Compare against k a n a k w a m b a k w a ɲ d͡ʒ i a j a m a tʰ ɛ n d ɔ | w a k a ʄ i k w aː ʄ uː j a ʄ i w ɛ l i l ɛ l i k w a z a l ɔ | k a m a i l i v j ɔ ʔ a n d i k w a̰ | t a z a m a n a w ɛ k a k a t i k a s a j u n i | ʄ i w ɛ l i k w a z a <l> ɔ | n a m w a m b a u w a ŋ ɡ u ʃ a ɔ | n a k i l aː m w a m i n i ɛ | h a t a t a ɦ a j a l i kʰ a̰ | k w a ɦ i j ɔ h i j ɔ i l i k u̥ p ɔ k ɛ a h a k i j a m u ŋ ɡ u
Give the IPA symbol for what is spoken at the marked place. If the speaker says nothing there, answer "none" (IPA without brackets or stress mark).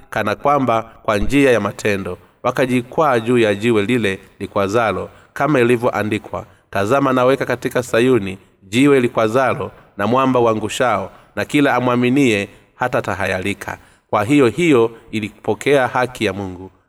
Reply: l